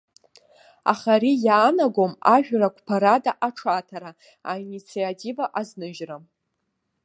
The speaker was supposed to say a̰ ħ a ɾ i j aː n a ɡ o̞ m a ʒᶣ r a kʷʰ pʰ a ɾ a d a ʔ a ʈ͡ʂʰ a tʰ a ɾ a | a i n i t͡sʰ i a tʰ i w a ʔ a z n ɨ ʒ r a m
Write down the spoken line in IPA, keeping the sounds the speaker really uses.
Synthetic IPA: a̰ χ a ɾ i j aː n a ɡ o̞ m a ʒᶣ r a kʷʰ pʰ a ɾ a d a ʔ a ʈ͡ʂʰ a tʰ a ɾ a | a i n i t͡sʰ i a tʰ i v a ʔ a z n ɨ ʒ r a m